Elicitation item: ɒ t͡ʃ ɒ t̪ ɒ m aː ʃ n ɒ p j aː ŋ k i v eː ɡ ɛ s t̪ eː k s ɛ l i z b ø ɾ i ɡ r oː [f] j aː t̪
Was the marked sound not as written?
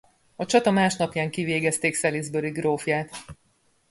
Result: no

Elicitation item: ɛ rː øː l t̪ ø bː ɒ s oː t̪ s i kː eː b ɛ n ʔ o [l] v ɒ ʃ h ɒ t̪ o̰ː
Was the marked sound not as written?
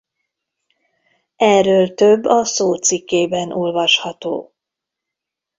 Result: no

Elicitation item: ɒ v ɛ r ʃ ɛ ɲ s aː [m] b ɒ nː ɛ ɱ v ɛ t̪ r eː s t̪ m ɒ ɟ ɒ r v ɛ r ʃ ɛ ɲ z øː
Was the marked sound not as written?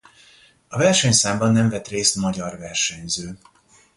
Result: no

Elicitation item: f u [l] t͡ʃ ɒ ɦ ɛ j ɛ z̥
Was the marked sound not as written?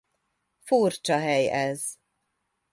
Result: yes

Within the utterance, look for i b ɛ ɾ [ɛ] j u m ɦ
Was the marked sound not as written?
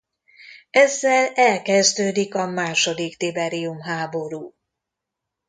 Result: yes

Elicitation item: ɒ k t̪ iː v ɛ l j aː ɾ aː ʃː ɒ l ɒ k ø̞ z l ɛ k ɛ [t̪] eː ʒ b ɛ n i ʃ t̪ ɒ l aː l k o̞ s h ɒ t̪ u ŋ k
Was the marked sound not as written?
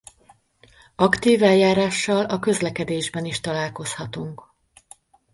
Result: yes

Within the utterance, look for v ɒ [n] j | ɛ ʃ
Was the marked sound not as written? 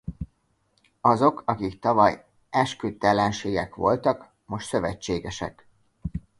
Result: yes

